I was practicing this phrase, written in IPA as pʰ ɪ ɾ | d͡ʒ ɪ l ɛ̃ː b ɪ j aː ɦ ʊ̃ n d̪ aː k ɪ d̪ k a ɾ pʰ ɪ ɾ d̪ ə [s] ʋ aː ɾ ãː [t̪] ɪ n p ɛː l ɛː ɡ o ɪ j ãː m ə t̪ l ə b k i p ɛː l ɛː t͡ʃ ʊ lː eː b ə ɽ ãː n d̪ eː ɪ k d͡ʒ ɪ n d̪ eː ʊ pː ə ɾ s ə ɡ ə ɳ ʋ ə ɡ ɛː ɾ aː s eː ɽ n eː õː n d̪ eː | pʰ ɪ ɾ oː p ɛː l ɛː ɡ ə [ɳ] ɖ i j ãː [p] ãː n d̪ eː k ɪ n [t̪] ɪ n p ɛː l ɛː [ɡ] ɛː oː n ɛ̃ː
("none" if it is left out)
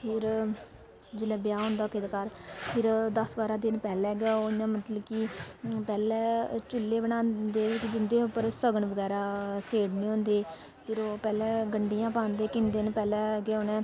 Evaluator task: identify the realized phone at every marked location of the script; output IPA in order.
s, d̪, ɳ, p, d̪, ɡ

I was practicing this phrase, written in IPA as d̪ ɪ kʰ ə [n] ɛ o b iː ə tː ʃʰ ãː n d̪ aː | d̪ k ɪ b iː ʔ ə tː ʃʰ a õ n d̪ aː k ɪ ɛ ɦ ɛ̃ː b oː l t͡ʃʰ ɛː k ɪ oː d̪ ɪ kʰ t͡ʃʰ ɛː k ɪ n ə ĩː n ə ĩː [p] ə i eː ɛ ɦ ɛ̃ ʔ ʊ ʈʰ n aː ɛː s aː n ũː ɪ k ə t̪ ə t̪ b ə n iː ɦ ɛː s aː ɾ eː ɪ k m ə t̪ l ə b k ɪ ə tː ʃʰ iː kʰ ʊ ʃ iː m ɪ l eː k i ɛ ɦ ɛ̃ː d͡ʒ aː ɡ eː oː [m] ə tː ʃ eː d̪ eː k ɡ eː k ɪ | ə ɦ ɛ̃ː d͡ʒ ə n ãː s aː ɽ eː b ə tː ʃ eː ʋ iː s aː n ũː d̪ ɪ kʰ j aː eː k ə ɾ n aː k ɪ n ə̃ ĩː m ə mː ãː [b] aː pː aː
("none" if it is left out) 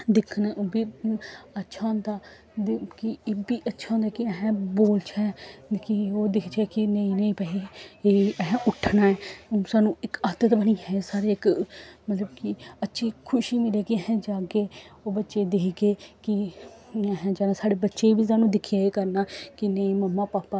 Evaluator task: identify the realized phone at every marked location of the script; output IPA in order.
n, p, b, p

